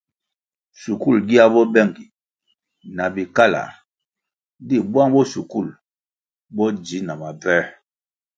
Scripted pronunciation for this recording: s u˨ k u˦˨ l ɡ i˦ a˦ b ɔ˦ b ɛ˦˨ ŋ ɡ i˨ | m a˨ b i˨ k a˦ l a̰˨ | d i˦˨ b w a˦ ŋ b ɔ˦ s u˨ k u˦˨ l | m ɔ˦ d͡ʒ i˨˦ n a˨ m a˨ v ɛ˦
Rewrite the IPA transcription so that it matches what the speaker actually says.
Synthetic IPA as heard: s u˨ k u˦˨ l ɡ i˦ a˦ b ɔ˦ b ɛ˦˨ ŋ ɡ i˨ | n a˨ b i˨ k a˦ l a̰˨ | d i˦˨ b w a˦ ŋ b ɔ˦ s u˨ k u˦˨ l | b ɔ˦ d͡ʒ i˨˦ n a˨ m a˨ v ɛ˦